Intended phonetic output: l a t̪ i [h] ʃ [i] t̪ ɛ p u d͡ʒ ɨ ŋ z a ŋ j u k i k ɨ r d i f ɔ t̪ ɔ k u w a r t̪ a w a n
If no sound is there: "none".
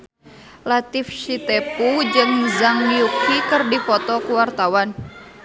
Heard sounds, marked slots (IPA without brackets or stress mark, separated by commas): f, i